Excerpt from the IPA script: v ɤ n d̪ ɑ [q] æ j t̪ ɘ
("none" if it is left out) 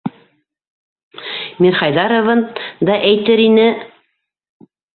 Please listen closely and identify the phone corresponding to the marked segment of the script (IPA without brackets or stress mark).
ʔ